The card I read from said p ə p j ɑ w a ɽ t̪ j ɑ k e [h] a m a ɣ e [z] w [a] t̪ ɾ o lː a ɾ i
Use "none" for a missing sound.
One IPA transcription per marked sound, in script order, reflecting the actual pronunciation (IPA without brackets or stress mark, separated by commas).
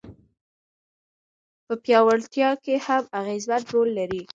h, z, a